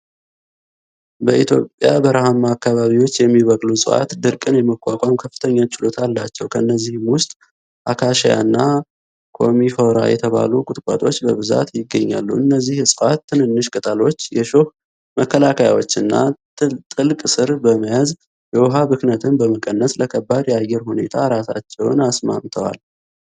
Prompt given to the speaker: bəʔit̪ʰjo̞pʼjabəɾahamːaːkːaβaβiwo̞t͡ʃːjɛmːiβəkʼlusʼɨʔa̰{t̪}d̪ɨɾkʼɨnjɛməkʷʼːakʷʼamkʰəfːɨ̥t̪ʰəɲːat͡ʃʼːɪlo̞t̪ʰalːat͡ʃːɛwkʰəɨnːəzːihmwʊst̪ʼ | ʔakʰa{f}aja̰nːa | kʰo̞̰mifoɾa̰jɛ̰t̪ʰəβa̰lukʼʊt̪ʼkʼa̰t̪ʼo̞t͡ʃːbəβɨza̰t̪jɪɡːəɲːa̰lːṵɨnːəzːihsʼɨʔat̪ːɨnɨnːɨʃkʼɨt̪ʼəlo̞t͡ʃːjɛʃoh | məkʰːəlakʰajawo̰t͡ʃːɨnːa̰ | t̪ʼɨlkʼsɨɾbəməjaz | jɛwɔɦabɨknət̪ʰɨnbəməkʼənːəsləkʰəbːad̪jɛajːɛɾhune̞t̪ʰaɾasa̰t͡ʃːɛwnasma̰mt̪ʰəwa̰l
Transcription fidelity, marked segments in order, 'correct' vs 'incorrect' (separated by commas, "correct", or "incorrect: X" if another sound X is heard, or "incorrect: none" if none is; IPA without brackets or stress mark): correct, incorrect: ʃ